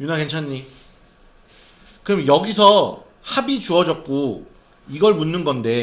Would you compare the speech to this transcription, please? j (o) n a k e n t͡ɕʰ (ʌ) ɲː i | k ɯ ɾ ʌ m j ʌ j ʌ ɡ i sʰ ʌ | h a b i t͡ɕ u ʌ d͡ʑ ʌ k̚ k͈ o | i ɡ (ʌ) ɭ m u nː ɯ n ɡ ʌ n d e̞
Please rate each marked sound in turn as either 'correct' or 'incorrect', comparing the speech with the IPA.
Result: incorrect: u, incorrect: a, correct

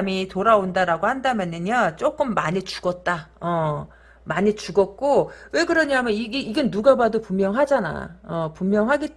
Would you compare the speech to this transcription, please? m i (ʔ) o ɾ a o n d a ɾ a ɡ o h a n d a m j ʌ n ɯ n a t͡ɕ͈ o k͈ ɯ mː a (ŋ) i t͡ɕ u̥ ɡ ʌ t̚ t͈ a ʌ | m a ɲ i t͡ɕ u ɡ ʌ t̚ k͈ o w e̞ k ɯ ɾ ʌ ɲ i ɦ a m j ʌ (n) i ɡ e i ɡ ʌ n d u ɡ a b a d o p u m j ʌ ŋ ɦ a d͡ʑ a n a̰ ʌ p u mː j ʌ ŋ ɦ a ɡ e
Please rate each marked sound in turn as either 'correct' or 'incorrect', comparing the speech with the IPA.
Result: incorrect: t, incorrect: ɲ, correct

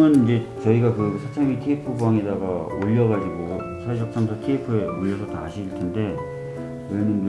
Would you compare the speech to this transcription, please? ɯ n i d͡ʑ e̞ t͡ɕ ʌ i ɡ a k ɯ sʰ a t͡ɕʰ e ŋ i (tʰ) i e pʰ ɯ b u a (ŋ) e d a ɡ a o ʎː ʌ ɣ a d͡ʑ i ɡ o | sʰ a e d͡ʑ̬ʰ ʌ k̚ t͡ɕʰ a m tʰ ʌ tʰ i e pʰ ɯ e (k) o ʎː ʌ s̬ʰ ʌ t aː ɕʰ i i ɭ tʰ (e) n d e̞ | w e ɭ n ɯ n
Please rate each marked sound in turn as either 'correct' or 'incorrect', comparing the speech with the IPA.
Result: correct, correct, incorrect: none, correct

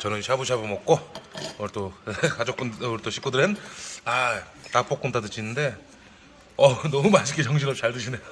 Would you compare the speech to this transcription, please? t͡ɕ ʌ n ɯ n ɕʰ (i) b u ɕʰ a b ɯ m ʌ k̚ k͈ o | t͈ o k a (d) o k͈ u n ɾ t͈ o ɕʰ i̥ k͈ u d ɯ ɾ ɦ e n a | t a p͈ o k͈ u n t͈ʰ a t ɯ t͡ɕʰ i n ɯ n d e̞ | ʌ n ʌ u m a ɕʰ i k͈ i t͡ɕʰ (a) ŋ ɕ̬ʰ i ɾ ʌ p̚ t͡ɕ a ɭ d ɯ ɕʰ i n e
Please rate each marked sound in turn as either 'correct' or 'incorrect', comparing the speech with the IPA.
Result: incorrect: a, incorrect: d͡ʑ, incorrect: ʌ

